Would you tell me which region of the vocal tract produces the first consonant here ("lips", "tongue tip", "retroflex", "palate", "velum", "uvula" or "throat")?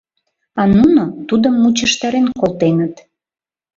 tongue tip